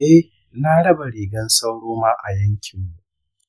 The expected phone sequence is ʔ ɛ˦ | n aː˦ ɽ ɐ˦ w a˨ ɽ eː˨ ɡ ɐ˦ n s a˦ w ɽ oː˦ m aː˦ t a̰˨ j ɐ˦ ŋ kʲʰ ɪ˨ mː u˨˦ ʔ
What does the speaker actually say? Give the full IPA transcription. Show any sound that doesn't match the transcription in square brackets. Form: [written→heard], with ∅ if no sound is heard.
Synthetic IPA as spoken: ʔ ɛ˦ | n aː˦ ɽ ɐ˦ [w→b] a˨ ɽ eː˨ ɡ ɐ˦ n s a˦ w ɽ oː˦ m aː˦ [t→ʔ] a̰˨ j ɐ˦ ŋ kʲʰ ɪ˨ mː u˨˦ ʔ